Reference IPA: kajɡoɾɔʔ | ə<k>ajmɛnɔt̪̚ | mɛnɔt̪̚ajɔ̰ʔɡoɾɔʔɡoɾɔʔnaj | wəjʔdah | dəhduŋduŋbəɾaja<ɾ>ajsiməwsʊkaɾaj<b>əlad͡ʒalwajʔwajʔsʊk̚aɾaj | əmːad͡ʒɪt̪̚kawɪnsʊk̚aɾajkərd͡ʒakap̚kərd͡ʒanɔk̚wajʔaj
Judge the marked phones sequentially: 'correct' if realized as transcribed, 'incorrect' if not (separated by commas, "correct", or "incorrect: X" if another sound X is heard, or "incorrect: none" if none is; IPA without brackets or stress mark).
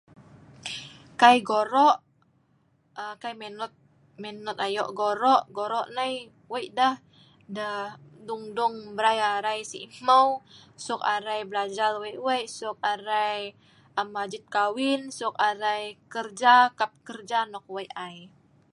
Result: correct, correct, correct